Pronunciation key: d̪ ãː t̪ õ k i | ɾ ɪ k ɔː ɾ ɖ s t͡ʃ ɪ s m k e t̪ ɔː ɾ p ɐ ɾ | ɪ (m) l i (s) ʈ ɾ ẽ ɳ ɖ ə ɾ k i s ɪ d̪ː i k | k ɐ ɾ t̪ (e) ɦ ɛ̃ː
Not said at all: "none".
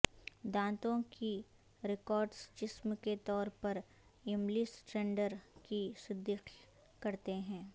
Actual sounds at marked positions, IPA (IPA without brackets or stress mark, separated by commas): m, s, e